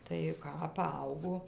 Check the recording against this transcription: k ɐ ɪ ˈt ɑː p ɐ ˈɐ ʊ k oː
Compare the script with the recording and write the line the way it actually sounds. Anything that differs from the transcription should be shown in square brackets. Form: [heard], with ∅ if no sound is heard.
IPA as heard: [t] ɐ ɪ [ˈk] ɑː p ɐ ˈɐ ʊ [ɡ] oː